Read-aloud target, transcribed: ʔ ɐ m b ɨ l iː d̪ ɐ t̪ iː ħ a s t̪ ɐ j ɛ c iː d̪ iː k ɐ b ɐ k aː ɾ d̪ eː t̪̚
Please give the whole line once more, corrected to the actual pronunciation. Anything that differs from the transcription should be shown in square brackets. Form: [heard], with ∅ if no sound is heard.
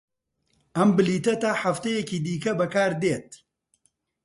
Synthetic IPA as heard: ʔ ɐ m b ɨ l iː [t̪] ɐ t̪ [aː] ħ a [f] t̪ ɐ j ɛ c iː d̪ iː k ɐ b ɐ k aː ɾ d̪ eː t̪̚